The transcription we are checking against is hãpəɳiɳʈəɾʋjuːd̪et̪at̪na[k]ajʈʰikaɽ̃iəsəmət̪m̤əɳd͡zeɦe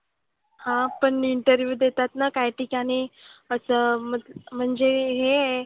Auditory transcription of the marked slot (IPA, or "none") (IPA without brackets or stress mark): k